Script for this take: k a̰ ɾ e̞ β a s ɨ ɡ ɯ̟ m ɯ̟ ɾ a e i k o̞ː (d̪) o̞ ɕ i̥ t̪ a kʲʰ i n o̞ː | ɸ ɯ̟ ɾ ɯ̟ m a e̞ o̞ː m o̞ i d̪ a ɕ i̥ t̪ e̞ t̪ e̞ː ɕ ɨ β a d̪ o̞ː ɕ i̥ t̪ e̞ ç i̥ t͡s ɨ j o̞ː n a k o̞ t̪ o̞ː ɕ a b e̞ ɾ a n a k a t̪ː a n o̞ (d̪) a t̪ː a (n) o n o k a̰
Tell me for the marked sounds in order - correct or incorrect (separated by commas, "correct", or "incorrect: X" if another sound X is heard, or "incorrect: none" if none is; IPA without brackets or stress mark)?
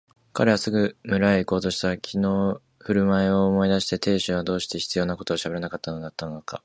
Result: incorrect: t̪, correct, correct